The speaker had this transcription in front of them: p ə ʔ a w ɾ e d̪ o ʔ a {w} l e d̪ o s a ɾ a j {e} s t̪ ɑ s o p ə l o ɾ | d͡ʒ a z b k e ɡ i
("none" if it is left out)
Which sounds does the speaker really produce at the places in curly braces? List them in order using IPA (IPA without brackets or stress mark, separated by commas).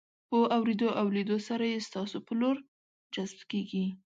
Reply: w, e